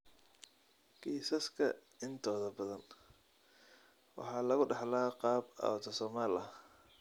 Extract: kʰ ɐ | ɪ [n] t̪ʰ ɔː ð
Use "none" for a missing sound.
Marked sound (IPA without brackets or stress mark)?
n